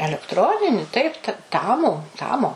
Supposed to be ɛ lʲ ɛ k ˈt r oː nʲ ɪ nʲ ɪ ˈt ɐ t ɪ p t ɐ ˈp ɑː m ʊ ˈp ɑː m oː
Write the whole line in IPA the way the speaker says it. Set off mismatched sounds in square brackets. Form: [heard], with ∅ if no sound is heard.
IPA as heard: ɛ lʲ ɛ k ˈt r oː nʲ ɪ nʲ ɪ ˈt ɐ [∅] ɪ p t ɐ [ˈt] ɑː m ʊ [ˈt] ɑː m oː